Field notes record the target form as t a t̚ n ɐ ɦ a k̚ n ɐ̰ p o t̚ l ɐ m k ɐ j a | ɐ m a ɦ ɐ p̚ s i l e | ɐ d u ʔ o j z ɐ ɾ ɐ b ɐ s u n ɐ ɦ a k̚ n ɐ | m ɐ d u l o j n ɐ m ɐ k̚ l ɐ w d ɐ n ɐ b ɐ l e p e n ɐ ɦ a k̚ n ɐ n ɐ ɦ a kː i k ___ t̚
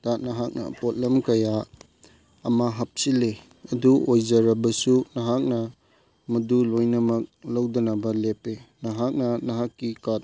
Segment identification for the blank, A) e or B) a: B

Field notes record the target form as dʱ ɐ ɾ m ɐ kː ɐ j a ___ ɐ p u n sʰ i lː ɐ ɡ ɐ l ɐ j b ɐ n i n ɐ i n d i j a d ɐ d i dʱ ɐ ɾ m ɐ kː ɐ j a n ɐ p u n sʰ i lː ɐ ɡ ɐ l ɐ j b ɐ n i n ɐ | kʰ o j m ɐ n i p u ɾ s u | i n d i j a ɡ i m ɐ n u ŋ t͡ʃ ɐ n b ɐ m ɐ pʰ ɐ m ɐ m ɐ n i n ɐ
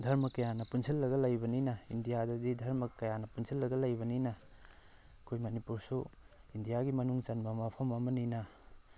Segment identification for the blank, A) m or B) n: B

